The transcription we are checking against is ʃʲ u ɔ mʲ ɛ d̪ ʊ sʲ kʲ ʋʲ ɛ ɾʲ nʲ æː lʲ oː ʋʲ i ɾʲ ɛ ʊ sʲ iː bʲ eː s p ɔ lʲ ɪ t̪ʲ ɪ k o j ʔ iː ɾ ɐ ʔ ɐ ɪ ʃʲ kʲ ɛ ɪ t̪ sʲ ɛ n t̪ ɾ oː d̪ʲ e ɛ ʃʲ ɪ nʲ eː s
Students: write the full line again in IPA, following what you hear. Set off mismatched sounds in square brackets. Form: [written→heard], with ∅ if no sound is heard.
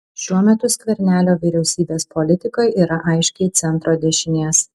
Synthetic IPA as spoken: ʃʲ u ɔ mʲ ɛ [d̪→t̪] ʊ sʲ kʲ ʋʲ ɛ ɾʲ nʲ æː lʲ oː ʋʲ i ɾʲ ɛ ʊ sʲ iː bʲ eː s p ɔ lʲ ɪ t̪ʲ ɪ k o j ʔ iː ɾ ɐ ʔ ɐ ɪ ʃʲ kʲ ɛ ɪ t̪ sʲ ɛ n t̪ ɾ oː d̪ʲ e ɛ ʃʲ ɪ nʲ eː s

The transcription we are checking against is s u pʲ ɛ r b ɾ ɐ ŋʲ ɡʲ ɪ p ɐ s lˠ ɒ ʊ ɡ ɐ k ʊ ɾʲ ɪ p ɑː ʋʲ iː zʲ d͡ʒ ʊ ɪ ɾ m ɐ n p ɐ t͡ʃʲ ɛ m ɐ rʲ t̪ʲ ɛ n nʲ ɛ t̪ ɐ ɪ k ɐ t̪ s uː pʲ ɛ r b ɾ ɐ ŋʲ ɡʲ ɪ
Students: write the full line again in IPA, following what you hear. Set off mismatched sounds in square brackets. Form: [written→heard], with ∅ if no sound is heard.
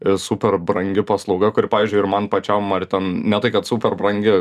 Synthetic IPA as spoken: s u pʲ ɛ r b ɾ ɐ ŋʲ ɡʲ ɪ p ɐ s lˠ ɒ ʊ ɡ ɐ k ʊ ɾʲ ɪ p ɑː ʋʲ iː zʲ d͡ʒ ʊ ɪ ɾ m ɐ n p ɐ t͡ʃʲ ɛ m ɐ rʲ t̪ʲ ɛ n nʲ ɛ t̪ ɐ ɪ k ɐ t̪ s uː pʲ ɛ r b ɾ ɐ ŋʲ ɡʲ ɪ

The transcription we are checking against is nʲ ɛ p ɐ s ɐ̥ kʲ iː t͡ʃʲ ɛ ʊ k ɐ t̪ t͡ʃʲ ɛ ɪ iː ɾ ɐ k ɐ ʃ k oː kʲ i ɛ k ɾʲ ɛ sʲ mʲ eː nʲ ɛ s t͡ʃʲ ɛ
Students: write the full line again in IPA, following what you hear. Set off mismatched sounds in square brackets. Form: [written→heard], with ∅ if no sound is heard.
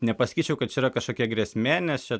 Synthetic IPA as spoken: nʲ ɛ p ɐ s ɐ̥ kʲ iː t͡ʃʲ ɛ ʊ k ɐ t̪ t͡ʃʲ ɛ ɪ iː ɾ ɐ k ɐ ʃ k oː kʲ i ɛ [k→ɡ] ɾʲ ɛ sʲ mʲ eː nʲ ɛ s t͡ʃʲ ɛ

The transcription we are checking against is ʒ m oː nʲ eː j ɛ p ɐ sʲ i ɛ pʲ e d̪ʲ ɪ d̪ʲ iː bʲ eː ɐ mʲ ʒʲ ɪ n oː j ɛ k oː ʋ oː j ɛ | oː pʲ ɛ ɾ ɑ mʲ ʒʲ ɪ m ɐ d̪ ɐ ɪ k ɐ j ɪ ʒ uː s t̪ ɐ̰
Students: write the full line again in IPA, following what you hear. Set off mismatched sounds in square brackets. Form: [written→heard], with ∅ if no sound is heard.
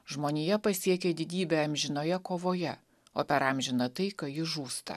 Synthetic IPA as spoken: ʒ m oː nʲ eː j ɛ p ɐ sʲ i ɛ [pʲ→kʲ] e d̪ʲ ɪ d̪ʲ iː bʲ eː ɐ mʲ ʒʲ ɪ n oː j ɛ k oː ʋ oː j ɛ | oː pʲ ɛ ɾ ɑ mʲ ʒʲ ɪ [m→n] ɐ [d̪→t̪] ɐ ɪ k ɐ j ɪ ʒ uː s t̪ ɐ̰

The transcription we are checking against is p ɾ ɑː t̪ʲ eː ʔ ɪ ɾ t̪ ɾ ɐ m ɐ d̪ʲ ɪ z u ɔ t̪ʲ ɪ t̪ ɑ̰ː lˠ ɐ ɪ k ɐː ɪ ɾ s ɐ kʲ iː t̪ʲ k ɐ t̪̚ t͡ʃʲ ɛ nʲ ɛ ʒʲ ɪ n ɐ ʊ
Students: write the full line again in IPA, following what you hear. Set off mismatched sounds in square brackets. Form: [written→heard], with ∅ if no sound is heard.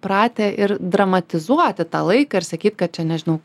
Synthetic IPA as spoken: p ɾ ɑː t̪ʲ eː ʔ ɪ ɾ [t̪→d̪] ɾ ɐ m ɐ [d̪ʲ→t̪ʲ] ɪ z u ɔ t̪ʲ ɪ t̪ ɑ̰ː lˠ ɐ ɪ k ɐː ɪ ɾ s ɐ kʲ iː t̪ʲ k ɐ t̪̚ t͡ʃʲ ɛ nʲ ɛ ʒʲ ɪ n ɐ ʊ

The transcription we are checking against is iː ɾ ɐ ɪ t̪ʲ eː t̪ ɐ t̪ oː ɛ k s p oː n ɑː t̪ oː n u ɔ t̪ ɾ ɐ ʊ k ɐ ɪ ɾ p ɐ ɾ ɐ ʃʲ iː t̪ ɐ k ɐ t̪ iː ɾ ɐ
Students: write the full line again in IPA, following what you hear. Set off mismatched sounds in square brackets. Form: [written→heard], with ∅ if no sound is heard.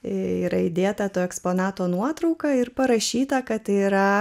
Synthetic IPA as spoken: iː ɾ ɐ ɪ [t̪ʲ→d̪ʲ] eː t̪ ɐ t̪ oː ɛ k s p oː n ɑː t̪ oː n u ɔ t̪ ɾ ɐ ʊ k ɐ ɪ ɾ p ɐ ɾ ɐ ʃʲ iː t̪ ɐ k ɐ t̪ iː ɾ ɐ

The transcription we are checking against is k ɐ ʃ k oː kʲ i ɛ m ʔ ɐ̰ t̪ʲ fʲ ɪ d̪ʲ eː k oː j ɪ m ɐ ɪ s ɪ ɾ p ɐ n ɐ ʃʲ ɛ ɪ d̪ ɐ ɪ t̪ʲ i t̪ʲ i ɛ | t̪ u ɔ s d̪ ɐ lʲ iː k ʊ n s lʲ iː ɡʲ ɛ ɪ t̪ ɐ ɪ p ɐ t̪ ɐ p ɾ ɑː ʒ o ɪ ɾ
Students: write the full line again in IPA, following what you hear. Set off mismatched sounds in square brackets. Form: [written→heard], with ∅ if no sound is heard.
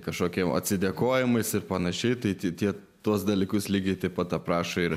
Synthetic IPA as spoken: k ɐ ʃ k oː kʲ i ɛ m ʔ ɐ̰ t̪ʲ [fʲ→sʲ] ɪ d̪ʲ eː k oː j ɪ m ɐ ɪ s ɪ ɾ p ɐ n ɐ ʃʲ ɛ ɪ [d̪→t̪] ɐ ɪ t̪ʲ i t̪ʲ i ɛ | t̪ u ɔ s d̪ ɐ lʲ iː k ʊ [n→∅] s lʲ iː ɡʲ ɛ ɪ t̪ ɐ ɪ p ɐ t̪ ɐ p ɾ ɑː [ʒ→ʃ] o ɪ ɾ

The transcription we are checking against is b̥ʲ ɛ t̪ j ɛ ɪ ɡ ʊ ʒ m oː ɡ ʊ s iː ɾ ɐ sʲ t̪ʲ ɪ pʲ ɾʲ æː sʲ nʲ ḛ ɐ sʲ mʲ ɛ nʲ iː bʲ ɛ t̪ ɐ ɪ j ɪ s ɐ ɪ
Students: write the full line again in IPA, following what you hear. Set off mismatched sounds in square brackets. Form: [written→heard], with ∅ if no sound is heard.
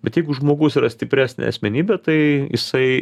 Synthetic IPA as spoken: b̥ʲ ɛ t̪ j ɛ ɪ ɡ ʊ ʒ m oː ɡ ʊ s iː ɾ ɐ sʲ t̪ʲ ɪ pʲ ɾʲ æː sʲ nʲ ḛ ɐ sʲ mʲ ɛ nʲ iː bʲ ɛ t̪ ɐ ɪ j ɪ s ɐ ɪ

